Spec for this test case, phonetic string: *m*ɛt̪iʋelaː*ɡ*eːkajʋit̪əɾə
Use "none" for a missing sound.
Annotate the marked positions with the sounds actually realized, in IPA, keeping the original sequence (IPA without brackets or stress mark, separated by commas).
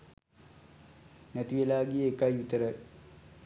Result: n, ɡ